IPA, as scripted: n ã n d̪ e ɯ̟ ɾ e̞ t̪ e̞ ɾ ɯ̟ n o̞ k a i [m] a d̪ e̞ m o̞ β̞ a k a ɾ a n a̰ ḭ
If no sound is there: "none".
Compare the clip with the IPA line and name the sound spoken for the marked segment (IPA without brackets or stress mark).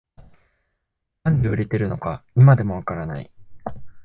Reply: m